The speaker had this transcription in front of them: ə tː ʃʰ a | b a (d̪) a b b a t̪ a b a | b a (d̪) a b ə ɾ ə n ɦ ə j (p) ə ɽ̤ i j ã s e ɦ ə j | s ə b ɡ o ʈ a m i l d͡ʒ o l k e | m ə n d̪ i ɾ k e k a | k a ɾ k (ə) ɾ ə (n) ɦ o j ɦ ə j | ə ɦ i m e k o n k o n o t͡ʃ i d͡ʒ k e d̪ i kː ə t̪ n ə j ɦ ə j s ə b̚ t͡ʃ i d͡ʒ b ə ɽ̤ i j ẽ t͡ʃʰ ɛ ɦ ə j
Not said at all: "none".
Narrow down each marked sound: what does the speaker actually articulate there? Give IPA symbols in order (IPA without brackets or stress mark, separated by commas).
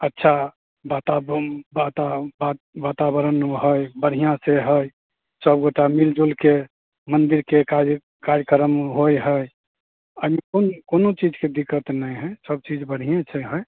t̪, t̪, b, ə, m